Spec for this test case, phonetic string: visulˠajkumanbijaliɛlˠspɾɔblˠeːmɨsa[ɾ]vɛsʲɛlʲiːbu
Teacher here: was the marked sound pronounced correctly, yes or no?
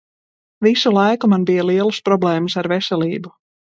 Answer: yes